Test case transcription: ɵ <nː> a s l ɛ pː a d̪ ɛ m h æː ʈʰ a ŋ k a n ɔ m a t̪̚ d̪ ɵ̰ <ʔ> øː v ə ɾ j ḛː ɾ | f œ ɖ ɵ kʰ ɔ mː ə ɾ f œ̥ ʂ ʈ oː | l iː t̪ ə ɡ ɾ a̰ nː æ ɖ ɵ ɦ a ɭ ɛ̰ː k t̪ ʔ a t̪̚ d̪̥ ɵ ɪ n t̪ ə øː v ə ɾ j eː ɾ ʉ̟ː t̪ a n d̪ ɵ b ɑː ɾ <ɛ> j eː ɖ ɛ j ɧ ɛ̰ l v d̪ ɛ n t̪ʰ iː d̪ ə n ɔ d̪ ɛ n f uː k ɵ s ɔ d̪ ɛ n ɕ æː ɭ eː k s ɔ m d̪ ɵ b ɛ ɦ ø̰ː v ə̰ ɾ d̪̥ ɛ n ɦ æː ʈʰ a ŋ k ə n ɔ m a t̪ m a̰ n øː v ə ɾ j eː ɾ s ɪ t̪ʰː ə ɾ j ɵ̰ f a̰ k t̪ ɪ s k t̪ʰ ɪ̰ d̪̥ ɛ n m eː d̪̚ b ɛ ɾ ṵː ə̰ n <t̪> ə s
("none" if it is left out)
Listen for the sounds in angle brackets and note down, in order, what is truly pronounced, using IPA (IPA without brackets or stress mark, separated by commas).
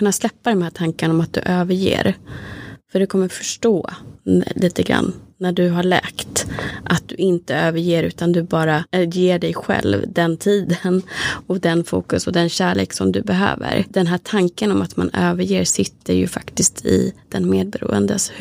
nː, ʔ, a, d̪